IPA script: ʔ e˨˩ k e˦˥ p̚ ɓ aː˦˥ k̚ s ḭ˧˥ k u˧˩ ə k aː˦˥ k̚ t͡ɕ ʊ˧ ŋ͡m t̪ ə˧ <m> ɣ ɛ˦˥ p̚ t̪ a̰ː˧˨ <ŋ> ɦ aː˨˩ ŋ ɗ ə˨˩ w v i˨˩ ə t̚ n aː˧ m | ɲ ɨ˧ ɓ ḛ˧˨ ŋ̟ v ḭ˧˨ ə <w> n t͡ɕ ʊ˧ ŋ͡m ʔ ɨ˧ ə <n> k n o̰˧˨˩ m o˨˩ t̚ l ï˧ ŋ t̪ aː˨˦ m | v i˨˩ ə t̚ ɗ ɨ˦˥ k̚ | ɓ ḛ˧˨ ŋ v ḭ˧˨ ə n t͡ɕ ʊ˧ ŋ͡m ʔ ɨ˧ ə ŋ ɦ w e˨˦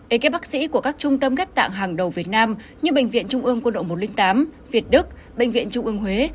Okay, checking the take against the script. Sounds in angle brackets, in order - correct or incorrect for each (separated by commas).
correct, correct, incorrect, incorrect